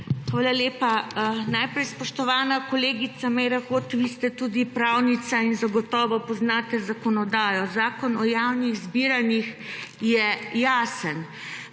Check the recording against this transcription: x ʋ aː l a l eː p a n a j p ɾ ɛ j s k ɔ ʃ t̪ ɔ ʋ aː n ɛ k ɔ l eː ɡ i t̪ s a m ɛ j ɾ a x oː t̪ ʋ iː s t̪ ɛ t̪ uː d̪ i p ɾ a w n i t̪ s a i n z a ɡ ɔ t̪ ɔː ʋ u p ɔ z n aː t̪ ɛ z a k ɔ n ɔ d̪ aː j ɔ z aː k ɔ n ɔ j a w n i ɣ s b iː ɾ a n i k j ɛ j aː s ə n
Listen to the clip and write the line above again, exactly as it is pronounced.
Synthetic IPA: x ʋ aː l a l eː p a n a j p ɾ ɛ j s p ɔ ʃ t̪ ɔ ʋ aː n a k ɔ l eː ɡ i t̪ s a m ɛ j ɾ a x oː t̪ ʋ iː s t̪ ɛ t̪ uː d̪ i p ɾ a w n i t̪ s a i n z a ɡ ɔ t̪ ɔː ʋ ɔ p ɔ z n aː t̪ ɛ z a k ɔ n ɔ d̪ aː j ɔ z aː k ɔ n ɔ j a w n i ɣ z b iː ɾ a n i x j ɛ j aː s ə n